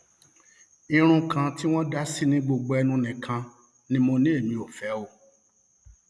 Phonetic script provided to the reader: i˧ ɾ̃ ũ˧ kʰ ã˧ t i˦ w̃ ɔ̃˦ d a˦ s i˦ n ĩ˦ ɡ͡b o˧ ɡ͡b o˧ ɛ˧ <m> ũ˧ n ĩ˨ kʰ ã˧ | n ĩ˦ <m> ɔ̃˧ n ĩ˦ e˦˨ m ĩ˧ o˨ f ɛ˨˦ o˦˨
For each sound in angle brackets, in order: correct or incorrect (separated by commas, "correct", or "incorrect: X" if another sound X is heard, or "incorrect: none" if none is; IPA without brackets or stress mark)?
incorrect: n, correct